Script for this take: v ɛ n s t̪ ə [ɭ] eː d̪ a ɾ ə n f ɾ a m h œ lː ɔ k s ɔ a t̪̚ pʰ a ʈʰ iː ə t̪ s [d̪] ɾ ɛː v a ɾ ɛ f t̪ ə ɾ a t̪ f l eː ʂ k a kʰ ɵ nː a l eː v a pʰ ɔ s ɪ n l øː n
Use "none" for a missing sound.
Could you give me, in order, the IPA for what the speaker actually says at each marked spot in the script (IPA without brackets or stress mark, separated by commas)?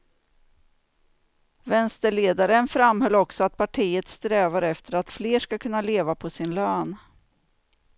ɭ, t̪